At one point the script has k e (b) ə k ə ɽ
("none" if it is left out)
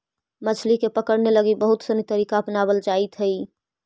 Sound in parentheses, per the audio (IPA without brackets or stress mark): p